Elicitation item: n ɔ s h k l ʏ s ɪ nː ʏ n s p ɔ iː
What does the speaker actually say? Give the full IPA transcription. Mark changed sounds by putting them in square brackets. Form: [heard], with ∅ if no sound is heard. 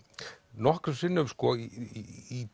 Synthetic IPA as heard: n ɔ [∅] h k [ɾ] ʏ s ɪ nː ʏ [m] s [k] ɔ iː